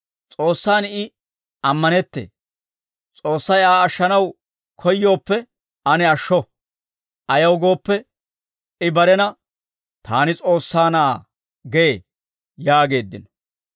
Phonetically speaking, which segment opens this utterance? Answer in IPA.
t͡sʼ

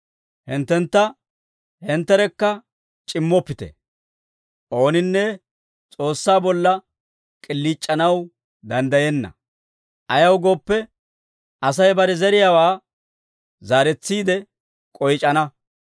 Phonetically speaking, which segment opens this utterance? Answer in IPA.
h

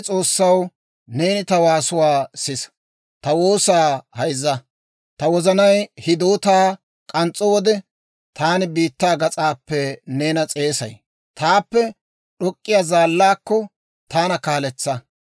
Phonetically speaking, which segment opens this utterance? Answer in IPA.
t͡sʼ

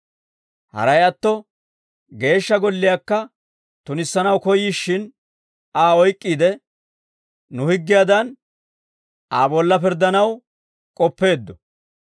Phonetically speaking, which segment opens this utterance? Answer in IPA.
h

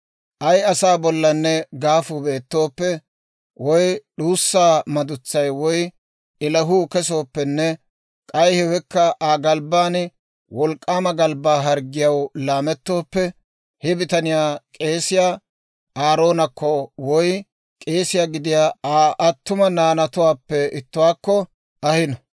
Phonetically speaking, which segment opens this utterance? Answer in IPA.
ʔ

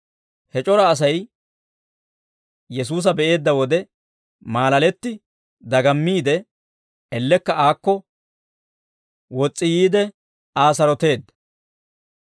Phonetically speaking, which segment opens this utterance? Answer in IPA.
h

